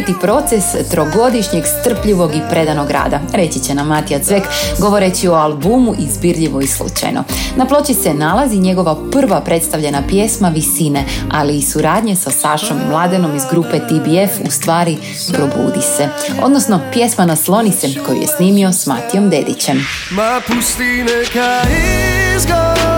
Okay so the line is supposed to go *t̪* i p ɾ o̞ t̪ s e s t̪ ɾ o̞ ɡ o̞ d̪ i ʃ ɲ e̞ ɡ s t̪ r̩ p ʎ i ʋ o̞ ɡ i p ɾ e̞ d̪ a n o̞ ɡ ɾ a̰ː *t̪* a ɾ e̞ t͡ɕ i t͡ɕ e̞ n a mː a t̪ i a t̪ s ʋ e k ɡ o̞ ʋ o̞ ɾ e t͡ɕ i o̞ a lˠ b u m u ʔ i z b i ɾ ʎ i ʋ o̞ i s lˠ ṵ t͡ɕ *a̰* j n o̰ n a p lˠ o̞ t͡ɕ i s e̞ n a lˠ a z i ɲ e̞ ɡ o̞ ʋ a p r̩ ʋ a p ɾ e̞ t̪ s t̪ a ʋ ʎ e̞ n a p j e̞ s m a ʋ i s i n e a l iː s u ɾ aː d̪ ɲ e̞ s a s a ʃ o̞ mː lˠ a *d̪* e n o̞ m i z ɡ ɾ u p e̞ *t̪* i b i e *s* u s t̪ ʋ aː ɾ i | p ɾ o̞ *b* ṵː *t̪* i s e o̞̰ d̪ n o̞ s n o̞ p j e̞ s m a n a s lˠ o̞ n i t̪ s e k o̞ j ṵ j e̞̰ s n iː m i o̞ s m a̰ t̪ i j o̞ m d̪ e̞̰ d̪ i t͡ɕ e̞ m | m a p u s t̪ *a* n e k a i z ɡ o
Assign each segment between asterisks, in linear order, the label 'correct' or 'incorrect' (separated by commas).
correct, incorrect, correct, correct, correct, incorrect, correct, incorrect, incorrect